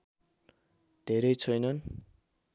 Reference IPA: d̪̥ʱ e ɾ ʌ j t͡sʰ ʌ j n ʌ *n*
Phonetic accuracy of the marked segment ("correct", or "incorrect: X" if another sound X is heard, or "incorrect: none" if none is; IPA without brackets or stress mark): correct